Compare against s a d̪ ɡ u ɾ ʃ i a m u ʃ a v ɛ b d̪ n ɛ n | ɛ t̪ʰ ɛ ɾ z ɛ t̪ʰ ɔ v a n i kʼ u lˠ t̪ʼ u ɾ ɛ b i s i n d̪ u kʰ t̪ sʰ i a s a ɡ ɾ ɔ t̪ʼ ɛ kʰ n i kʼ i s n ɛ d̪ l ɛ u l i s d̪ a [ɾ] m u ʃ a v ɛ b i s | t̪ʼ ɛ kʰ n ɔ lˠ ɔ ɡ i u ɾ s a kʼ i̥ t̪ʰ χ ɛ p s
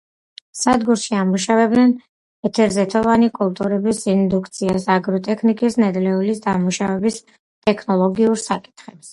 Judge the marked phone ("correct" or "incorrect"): incorrect